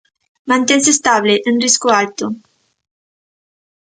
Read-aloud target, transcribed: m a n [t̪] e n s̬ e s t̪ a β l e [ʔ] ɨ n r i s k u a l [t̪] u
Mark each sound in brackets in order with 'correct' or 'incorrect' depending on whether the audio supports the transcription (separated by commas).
correct, correct, correct